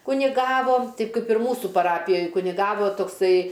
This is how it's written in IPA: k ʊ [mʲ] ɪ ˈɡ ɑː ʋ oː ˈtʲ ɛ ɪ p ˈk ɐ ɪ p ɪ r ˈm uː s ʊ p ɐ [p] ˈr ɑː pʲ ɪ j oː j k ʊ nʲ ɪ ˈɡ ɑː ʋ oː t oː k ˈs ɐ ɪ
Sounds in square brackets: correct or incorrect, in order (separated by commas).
incorrect, incorrect